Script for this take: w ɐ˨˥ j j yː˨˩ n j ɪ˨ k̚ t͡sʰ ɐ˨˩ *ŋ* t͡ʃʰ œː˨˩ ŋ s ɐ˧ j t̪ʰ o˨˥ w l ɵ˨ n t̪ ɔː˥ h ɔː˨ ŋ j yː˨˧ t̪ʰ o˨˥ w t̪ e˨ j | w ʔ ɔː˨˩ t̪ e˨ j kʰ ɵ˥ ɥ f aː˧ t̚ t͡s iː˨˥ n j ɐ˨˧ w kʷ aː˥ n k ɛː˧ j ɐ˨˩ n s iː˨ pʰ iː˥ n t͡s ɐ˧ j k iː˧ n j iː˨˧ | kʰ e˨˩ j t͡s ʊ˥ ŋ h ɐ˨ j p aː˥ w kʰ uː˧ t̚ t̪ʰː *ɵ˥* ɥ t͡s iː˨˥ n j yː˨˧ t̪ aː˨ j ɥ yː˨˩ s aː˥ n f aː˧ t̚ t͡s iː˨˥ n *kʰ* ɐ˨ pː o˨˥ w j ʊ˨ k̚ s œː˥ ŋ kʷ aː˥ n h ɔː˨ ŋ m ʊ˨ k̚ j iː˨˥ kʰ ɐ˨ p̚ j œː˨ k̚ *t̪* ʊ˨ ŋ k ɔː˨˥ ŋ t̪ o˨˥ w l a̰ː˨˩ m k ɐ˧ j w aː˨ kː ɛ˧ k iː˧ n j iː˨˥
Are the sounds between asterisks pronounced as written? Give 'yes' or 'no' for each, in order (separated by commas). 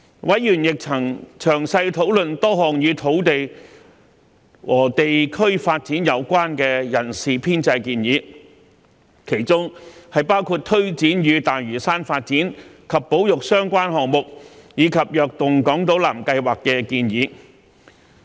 yes, yes, yes, yes